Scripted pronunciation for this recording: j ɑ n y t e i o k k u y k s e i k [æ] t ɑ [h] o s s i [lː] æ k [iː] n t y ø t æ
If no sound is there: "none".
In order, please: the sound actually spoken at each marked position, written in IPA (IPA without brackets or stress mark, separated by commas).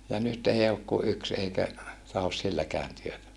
æ, h, lː, æː